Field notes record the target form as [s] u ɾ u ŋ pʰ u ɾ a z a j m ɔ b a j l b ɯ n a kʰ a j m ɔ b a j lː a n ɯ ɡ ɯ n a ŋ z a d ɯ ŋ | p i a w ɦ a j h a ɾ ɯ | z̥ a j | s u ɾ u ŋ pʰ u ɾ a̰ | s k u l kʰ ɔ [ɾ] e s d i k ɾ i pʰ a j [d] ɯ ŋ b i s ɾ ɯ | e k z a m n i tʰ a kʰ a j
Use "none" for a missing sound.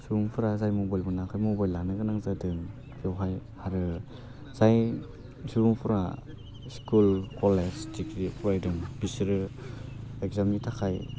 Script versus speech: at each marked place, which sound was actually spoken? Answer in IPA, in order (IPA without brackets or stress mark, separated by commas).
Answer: s, l, d